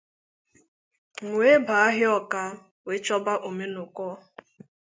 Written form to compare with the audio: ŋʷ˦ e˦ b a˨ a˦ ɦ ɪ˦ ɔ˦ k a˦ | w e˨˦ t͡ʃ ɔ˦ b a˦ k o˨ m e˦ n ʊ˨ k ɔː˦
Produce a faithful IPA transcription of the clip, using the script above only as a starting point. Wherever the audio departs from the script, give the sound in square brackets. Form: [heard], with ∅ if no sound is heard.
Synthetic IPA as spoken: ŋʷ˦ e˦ b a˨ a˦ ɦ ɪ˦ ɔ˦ k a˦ | w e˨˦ t͡ʃ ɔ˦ b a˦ [ʔ] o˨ m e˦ n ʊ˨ k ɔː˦

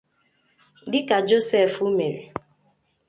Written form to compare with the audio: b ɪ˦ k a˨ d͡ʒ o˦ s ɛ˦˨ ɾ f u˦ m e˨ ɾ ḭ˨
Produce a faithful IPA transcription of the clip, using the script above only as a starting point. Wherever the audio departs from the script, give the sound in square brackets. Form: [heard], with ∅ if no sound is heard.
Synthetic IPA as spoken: [d] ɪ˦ k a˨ d͡ʒ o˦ s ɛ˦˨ [∅] f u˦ m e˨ ɾ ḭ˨

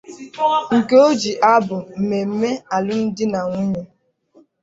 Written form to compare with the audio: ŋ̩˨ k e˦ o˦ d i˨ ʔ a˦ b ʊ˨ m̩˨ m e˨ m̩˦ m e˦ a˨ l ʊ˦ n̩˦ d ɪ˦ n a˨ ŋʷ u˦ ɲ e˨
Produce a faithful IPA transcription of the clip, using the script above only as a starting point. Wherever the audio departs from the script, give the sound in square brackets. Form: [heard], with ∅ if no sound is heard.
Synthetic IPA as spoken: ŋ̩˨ k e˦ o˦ [d͡ʒ] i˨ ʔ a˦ b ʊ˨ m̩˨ m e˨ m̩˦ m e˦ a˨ l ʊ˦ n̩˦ d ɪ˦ n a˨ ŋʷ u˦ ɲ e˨

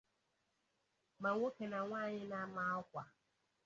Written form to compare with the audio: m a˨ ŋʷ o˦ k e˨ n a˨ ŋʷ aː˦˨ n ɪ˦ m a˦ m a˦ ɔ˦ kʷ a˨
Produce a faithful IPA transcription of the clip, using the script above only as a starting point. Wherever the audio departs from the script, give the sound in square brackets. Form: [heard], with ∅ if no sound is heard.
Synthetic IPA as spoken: m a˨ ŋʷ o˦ k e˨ n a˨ ŋʷ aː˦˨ [ɲ] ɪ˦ [n] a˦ m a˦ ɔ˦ kʷ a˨

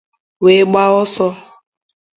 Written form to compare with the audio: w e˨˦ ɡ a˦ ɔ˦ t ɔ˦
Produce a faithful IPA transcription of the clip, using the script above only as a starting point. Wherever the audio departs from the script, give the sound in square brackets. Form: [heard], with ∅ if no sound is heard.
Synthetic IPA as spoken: w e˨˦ [ɡ͡b] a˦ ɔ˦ [s] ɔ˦

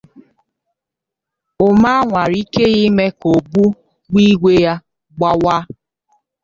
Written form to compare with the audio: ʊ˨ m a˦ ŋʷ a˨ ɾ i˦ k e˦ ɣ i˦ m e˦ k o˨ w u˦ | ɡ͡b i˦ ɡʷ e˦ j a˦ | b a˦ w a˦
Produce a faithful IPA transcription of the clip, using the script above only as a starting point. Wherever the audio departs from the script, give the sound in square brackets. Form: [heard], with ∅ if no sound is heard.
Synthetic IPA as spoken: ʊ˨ m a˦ ŋʷ a˨ ɾ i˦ k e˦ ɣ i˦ m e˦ k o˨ [b] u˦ | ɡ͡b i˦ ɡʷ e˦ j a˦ | [ɡ͡b] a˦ w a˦

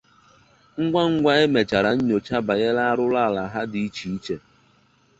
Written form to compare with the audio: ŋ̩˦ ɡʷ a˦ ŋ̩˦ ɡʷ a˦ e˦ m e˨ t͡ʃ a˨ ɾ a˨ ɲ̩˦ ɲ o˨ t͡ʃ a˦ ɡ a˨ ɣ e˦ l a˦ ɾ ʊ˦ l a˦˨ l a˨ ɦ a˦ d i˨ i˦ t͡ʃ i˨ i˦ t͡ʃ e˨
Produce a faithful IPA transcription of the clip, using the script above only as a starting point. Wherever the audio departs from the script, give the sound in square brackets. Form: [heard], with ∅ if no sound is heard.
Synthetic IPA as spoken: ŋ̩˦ ɡʷ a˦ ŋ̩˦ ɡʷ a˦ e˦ m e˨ t͡ʃ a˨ ɾ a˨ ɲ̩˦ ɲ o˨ t͡ʃ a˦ [b] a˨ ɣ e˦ l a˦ ɾ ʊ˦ l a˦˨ l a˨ ɦ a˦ d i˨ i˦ t͡ʃ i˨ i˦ t͡ʃ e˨

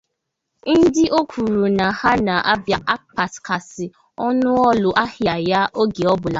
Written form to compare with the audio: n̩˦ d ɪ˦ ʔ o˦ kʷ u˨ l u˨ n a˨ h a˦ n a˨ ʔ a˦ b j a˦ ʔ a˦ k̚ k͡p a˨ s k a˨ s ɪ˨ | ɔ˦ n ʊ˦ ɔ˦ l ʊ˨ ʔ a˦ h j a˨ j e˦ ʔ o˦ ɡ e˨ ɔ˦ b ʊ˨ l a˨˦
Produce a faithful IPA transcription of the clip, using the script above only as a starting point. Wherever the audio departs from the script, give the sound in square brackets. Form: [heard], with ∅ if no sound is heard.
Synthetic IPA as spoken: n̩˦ d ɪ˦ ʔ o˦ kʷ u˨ [ɾ] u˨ n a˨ h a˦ n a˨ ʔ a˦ b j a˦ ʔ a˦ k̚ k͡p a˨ s k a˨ s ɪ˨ | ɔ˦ n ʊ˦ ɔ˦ l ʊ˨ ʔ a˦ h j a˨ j [a˦] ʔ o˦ ɡ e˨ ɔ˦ b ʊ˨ l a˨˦

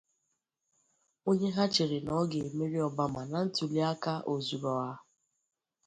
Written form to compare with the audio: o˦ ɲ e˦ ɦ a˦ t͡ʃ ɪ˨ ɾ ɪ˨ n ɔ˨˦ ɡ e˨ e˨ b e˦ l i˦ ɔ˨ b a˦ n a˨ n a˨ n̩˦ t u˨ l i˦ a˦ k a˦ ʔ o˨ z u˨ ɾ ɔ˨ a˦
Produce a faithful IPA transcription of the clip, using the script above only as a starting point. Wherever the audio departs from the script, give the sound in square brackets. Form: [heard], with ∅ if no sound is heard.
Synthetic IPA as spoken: o˦ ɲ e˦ ɦ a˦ t͡ʃ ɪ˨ ɾ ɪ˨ n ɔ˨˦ ɡ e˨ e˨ [m] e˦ [ɾ] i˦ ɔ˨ b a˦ [m] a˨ n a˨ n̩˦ t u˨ l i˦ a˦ k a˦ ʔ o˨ z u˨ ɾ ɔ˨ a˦

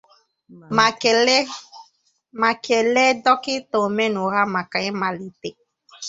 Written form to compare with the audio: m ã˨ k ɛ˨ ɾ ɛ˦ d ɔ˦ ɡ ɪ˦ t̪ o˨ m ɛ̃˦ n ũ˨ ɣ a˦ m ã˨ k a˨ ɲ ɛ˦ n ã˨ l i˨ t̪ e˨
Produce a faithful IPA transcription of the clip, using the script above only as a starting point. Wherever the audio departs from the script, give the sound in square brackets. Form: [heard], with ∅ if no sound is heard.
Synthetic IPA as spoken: m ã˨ k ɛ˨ [l] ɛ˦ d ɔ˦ [k] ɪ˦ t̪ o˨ m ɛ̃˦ n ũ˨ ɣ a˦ m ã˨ k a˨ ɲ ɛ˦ [m] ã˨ l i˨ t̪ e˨

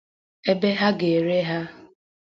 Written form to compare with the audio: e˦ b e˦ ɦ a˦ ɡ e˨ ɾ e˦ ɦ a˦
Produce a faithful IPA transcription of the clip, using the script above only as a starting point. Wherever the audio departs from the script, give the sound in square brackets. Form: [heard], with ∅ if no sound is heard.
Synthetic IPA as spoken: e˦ b e˦ ɦ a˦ ɡ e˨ ɾ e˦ ɦ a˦

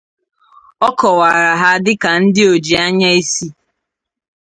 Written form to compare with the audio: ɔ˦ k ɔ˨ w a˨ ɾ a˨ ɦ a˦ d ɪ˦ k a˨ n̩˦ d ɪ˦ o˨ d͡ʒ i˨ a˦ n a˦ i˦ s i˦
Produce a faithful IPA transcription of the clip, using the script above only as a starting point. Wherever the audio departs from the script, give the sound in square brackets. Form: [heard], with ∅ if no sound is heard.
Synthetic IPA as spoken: ɔ˦ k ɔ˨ w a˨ ɾ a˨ ɦ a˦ d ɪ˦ k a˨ n̩˦ d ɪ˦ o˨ d͡ʒ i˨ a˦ [ɲ] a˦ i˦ s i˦

